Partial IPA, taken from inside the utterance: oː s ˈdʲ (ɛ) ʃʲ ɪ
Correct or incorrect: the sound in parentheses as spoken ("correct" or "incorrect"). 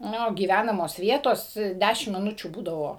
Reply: incorrect